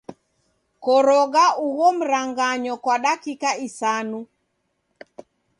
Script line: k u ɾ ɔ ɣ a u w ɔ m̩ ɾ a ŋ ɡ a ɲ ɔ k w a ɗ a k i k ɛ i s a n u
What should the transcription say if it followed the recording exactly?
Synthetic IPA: k ɔ ɾ ɔ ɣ a u ɣ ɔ m̩ ɾ a ŋ ɡ a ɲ ɔ k w a ɗ a k i k a i s a n u